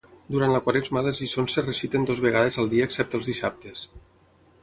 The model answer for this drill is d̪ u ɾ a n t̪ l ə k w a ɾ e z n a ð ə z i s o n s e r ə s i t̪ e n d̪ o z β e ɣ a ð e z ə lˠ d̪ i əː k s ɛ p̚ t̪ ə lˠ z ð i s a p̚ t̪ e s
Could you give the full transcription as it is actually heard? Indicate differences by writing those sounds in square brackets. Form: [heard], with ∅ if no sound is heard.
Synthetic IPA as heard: d̪ u ɾ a n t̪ l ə k w a ɾ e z [m] a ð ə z i s o n s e r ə s i t̪ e n d̪ o z β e ɣ a ð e z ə lˠ d̪ i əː k s ɛ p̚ t̪ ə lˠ z ð i s a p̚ t̪ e s

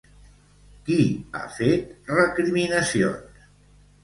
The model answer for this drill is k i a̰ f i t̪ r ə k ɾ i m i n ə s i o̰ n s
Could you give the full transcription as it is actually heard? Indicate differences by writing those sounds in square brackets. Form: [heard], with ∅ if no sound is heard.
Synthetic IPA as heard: k i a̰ f [e] t̪ r ə k ɾ i m i n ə s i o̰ n s

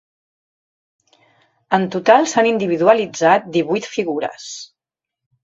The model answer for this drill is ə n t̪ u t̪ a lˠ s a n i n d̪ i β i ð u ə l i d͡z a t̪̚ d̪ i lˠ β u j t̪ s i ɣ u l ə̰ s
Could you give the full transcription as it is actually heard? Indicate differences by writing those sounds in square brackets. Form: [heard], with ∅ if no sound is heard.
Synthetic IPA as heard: ə n t̪ u t̪ a lˠ s a n i n d̪ i β i ð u ə l i d͡z a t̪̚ d̪ i [∅] β u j t̪ [f] i ɣ u [ɾ] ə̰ s

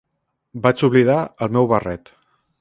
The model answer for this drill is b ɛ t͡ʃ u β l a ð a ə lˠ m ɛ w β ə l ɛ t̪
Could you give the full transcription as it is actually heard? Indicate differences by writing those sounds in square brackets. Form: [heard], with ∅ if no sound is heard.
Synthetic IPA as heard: b [a] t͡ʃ u β l [i] ð a ə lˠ m ɛ w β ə [r] ɛ t̪

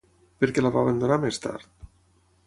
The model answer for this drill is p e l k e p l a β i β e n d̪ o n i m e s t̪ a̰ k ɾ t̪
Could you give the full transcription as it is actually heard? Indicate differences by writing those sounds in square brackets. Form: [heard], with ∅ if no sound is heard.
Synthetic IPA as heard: p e [ɾ] k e [∅] l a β [a] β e n d̪ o n [a] m e s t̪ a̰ [∅] ɾ t̪

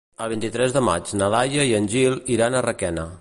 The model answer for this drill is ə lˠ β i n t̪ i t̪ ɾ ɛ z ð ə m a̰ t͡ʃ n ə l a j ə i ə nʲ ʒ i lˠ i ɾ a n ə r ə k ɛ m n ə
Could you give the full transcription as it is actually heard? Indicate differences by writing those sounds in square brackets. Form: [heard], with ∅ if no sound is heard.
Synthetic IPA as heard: ə lˠ β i n t̪ i t̪ ɾ ɛ z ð ə m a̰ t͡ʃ n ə l a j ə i ə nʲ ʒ i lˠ i ɾ a n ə r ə k ɛ [∅] n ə

